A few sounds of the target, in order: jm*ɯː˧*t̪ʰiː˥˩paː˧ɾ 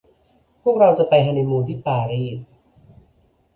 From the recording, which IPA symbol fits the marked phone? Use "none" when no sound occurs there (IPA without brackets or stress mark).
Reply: uː˧